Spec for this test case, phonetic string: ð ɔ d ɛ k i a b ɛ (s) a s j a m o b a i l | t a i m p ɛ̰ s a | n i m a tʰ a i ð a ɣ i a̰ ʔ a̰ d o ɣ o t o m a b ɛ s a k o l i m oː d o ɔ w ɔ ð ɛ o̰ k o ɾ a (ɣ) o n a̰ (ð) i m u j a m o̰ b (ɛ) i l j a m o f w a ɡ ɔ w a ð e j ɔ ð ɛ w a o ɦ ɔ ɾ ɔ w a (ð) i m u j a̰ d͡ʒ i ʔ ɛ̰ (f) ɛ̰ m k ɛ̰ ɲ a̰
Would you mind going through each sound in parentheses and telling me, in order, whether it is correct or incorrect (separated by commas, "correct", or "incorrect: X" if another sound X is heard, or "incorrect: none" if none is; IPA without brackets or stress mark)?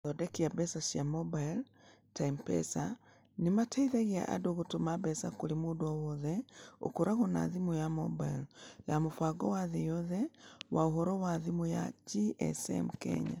correct, correct, correct, incorrect: a, correct, incorrect: s